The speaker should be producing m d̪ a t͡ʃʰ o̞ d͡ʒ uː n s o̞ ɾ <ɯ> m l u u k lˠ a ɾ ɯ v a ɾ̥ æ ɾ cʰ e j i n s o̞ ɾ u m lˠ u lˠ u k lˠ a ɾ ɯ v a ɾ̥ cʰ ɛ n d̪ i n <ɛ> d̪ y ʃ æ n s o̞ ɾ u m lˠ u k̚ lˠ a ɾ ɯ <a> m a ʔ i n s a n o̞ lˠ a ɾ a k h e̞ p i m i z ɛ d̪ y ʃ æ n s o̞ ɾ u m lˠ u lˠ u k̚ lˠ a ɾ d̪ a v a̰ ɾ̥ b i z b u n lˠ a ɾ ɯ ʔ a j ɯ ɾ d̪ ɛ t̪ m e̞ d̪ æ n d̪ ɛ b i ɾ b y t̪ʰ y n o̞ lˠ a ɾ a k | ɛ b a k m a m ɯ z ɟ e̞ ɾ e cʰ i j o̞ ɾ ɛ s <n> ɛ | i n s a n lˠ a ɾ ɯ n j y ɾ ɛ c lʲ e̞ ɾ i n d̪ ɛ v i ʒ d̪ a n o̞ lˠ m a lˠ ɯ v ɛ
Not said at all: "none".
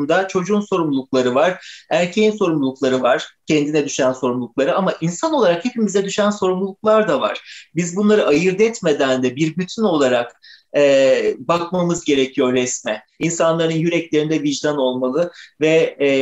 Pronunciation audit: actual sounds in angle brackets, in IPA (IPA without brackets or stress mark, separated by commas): u, ɛ, a, m